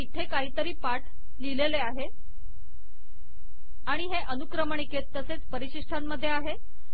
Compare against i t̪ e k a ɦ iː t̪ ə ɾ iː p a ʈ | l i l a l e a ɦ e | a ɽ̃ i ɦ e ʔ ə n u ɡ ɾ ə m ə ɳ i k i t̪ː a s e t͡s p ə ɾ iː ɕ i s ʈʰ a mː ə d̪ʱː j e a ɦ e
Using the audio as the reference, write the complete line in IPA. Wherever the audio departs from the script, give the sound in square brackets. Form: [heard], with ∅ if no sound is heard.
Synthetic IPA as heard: i [t̪ʰ] e k a ɦ iː t̪ ə ɾ iː p a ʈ | l i l [e] l e a ɦ e | a ɽ̃ i ɦ e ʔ ə n u [k] ɾ ə m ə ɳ i k [e] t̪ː [ə] s e t͡s p ə ɾ [i] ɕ i [ʂ] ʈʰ a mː ə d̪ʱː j e a ɦ e

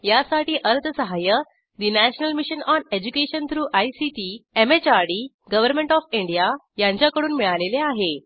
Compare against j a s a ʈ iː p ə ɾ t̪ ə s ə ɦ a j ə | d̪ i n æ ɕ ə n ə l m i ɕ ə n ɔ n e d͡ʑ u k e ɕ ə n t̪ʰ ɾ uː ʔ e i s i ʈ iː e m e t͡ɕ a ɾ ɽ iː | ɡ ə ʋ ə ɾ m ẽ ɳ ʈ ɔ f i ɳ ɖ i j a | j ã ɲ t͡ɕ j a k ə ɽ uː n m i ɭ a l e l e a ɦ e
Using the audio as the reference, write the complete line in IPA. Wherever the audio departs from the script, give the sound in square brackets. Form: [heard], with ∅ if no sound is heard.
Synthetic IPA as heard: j a s a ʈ iː [ʔ] ə ɾ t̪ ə s ə ɦ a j ə | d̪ i n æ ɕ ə n ə l m i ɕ ə n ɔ n e d͡ʑ u k e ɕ ə n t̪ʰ ɾ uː ʔ [a] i s i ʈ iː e m e t͡ɕ a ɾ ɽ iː | ɡ ə ʋ ə ɾ m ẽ ɳ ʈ ɔ f i ɳ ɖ i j a | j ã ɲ t͡ɕ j a k ə ɽ uː n m i ɭ a l e l e a ɦ e

